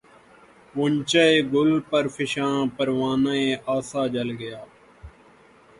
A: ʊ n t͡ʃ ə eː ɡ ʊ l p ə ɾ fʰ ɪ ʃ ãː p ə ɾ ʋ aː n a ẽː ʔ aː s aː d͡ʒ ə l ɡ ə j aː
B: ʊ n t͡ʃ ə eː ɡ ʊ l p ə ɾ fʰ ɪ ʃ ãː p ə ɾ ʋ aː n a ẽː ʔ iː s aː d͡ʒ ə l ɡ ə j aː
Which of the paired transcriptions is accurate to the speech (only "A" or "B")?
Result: A